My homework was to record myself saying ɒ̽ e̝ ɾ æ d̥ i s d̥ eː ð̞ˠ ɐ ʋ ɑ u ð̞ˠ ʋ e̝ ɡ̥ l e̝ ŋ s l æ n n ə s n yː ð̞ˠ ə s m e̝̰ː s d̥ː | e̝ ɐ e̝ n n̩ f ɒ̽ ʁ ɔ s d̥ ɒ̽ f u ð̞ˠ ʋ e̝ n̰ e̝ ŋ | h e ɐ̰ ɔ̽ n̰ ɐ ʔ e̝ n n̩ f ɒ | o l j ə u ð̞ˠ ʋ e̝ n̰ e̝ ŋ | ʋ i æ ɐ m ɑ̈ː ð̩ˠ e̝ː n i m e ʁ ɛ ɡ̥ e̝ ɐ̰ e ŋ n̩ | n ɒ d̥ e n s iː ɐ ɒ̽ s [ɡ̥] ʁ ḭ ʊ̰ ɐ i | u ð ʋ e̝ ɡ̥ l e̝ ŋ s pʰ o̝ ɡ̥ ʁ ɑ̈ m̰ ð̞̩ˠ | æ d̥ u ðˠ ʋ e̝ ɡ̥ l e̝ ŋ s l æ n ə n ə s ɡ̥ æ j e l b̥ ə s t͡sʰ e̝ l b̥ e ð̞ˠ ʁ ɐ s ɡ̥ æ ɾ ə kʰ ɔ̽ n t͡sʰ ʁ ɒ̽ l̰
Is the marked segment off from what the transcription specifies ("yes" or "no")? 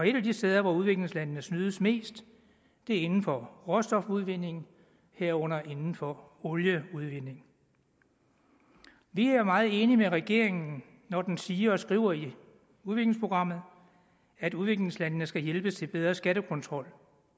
no